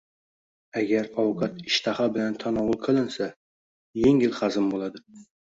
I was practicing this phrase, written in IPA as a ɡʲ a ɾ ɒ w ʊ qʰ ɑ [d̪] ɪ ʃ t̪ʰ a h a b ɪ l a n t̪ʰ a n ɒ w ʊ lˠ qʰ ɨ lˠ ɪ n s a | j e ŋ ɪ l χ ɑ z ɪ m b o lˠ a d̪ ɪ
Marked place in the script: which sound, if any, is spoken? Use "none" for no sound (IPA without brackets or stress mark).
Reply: t̪